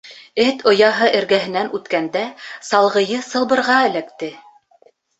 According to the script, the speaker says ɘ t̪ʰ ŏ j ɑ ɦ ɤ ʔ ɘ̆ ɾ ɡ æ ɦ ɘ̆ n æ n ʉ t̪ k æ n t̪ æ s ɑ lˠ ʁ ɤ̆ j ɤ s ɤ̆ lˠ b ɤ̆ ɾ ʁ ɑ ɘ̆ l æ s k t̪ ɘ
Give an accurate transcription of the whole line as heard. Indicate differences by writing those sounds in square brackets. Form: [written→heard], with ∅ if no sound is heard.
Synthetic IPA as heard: ɘ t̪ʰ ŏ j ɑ ɦ ɤ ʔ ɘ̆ ɾ ɡ æ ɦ ɘ̆ n æ n ʉ t̪ k æ n [t̪→d̪] æ s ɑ lˠ ʁ ɤ̆ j ɤ s ɤ̆ lˠ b ɤ̆ ɾ ʁ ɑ ɘ̆ l æ [s→∅] k t̪ ɘ